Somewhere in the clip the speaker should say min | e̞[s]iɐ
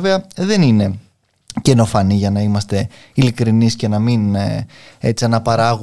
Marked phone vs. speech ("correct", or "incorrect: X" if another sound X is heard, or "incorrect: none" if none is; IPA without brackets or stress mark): incorrect: t͡s